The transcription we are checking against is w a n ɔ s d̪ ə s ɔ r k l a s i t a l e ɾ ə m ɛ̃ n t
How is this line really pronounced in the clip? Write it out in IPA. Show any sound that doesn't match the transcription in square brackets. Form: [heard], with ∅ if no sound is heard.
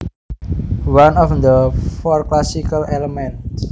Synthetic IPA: w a n ɔ [f] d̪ ə [f] ɔ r k l a s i [k] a l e [l] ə m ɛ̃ n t